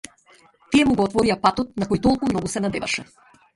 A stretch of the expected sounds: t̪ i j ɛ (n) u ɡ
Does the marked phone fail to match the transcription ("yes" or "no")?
yes